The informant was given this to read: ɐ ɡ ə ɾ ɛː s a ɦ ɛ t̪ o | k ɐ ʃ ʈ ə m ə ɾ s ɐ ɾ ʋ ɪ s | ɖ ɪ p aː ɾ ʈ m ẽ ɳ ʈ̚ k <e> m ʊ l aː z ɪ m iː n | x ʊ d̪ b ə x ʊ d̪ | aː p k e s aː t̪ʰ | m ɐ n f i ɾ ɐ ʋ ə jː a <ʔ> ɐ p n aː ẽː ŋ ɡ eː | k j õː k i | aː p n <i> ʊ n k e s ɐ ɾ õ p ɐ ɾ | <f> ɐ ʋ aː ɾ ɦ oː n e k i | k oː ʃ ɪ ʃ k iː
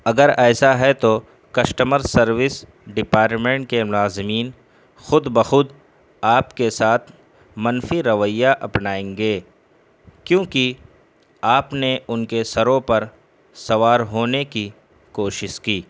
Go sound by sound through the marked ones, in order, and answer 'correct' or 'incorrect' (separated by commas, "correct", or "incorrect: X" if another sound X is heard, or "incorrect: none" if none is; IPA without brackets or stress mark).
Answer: correct, correct, incorrect: e, incorrect: s